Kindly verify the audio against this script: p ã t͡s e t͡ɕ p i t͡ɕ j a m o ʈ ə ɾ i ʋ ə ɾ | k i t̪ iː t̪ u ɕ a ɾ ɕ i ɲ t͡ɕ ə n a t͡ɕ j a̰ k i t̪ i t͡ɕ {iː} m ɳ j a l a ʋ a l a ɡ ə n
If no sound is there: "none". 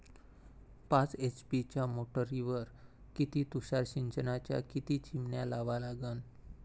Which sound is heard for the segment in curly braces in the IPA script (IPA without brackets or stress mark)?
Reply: i